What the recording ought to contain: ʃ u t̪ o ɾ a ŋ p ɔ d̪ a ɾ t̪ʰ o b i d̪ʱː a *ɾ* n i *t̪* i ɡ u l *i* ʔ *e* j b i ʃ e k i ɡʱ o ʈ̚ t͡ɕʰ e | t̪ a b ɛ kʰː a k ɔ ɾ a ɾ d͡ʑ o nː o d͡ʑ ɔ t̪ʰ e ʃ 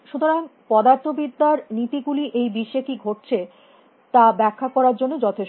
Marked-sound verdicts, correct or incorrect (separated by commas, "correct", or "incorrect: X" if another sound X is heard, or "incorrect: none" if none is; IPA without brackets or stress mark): correct, correct, correct, correct